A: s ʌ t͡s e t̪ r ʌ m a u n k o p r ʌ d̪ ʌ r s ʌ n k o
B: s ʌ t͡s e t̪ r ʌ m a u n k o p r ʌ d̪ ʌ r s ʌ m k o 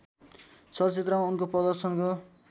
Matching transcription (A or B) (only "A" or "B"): A